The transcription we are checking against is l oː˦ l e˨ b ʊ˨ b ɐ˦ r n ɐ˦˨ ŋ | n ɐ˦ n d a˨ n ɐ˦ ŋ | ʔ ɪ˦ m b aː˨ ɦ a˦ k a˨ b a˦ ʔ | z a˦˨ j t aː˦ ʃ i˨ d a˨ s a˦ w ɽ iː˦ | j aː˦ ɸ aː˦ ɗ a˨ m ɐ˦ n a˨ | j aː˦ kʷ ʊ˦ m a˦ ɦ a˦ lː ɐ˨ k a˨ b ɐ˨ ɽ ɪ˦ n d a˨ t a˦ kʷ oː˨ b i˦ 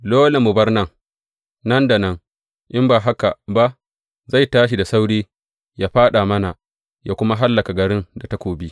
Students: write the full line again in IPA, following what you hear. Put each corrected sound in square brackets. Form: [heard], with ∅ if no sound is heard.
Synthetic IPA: l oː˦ l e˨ [m] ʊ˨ b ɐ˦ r n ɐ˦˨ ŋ | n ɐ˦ n d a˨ n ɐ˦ ŋ | ʔ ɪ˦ m b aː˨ ɦ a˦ k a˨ b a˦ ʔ | z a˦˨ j t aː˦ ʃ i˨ d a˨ s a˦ w ɽ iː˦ | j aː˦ ɸ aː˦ ɗ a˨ m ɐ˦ n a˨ | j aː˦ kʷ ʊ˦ m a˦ ɦ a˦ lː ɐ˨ k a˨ [ɡ] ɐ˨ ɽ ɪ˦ n d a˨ t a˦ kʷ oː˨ b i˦